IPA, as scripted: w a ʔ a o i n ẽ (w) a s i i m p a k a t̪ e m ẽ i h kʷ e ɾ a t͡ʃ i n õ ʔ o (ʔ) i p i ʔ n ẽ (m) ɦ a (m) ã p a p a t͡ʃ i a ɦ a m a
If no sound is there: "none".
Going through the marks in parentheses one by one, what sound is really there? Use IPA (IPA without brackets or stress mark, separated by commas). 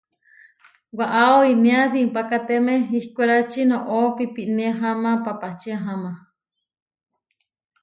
none, p, none, m